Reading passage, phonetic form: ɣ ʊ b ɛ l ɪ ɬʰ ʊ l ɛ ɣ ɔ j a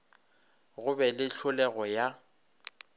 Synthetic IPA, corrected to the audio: ɣ ʊ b ɛ l ɪ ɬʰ ʊ l ɛ ɣ ɔ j a